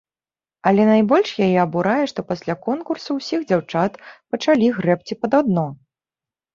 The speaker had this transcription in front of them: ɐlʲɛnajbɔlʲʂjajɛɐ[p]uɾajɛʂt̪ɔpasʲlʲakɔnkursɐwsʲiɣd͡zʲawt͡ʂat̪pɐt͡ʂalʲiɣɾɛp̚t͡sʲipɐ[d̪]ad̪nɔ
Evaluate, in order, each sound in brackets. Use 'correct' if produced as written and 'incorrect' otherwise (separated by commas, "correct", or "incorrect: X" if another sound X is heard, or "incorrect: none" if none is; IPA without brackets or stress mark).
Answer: incorrect: b, correct